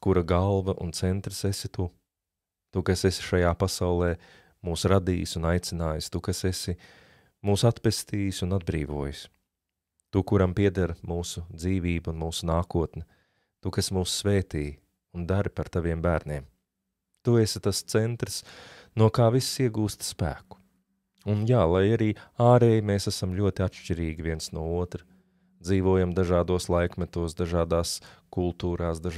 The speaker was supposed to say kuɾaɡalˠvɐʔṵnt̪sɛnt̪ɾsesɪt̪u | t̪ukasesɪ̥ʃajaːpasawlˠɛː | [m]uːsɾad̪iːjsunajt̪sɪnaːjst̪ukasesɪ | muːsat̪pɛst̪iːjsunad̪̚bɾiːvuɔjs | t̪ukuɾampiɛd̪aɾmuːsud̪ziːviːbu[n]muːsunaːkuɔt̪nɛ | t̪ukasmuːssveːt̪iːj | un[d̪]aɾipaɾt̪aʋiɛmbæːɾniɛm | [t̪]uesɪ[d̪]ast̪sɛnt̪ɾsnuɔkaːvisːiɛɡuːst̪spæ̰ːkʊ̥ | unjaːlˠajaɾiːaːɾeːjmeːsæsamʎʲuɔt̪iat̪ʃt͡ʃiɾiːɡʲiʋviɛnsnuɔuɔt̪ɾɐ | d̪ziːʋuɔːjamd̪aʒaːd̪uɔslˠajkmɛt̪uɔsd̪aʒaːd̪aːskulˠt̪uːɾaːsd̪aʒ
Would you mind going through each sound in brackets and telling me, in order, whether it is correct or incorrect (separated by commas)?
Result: correct, correct, correct, correct, incorrect